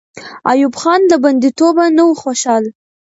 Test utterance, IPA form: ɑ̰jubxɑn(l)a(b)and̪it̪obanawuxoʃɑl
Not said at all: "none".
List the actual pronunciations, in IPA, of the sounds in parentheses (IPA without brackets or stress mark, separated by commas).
l, b